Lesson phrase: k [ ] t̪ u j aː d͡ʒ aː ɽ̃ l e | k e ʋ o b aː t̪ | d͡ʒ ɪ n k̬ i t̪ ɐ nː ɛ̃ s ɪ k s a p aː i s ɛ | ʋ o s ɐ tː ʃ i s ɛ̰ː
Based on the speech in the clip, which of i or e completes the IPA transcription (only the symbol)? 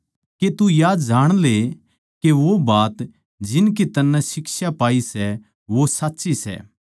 e